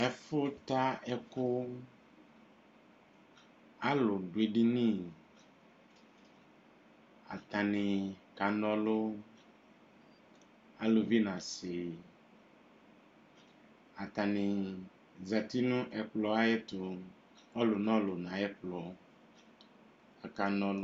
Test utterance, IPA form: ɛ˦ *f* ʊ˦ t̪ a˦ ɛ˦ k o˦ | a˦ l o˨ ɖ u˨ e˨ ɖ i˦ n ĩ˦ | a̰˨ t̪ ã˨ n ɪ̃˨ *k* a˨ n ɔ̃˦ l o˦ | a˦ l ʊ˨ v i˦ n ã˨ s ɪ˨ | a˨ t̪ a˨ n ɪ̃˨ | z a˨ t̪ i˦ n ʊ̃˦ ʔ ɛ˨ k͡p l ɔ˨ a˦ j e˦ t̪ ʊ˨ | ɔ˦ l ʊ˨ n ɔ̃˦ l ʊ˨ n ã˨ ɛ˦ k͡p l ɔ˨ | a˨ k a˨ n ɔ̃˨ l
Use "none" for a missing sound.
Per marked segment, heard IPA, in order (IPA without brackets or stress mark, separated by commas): f, k